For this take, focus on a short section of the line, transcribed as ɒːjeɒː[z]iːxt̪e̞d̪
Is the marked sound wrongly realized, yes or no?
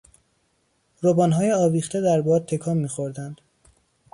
yes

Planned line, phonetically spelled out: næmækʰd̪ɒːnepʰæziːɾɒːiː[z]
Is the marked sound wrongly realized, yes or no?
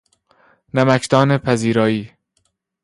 yes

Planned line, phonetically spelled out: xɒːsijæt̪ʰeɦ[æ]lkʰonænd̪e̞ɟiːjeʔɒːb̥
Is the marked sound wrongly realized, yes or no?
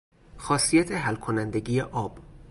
no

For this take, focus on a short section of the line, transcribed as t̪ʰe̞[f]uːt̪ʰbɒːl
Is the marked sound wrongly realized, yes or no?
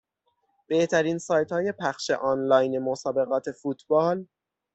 no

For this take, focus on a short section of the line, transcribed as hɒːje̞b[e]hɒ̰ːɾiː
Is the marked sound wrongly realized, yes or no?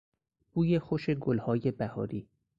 yes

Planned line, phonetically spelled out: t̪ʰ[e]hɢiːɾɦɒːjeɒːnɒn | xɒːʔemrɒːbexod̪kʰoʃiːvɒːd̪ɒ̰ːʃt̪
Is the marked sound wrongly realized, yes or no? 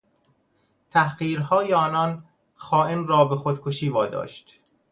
yes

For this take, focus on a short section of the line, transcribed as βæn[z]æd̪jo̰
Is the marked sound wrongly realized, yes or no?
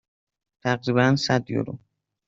yes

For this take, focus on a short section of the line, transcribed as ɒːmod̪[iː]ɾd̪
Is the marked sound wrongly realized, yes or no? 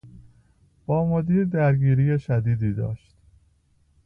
no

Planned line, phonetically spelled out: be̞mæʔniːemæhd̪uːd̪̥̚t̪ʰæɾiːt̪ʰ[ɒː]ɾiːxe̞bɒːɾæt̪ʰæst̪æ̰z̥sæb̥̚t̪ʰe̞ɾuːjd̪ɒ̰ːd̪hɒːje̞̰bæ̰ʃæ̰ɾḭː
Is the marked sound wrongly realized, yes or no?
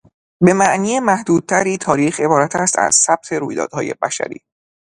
no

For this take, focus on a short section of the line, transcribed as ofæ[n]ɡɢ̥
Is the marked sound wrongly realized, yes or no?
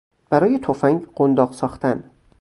yes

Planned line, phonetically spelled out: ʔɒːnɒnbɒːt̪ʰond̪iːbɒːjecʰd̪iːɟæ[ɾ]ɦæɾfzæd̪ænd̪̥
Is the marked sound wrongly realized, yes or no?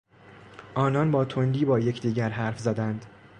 no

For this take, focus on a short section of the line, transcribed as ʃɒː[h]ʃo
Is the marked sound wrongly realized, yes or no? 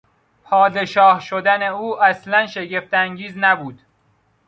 no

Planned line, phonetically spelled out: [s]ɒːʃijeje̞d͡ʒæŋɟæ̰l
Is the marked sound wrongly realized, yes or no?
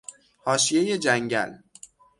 yes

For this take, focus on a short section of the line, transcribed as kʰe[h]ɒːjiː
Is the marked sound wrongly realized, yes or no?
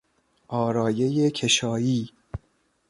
yes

